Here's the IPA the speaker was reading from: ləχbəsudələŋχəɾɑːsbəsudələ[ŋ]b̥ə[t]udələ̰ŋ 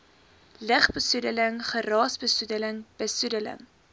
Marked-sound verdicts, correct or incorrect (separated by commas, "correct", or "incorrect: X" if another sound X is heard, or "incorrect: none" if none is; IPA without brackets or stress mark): correct, incorrect: s